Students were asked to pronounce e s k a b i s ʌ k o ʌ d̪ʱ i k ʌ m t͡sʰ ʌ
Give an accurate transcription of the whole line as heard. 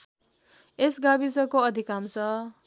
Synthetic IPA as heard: e s ɡ a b i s ʌ k o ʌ d̪ʱ i k a m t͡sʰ ʌ